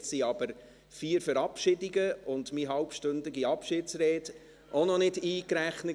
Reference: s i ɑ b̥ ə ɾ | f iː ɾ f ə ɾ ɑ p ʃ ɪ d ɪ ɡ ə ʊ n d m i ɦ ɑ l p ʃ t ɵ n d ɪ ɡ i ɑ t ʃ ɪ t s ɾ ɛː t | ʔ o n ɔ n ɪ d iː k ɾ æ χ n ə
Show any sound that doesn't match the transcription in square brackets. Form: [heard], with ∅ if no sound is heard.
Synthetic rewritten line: s i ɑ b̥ ə ɾ | f iː ɾ f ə ɾ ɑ p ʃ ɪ d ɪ ɡ ə ʊ n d m i ɦ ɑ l p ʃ t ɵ n d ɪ ɡ i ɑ [p] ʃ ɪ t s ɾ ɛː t | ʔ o n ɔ n ɪ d iː k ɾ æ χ n ə